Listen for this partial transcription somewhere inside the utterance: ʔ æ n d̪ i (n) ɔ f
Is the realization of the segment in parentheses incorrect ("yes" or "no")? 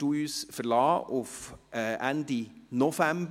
no